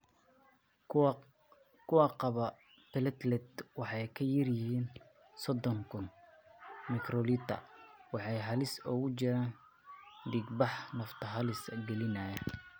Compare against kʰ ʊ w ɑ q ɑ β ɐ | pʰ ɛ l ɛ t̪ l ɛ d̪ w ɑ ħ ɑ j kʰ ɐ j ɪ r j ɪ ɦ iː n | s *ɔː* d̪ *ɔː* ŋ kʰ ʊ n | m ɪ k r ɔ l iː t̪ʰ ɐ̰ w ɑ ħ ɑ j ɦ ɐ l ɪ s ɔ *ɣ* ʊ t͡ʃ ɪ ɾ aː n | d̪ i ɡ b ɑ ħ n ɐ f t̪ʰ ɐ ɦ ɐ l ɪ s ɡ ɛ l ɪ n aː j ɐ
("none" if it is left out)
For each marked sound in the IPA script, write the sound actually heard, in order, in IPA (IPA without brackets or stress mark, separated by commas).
ɔ, ɔ, ɣ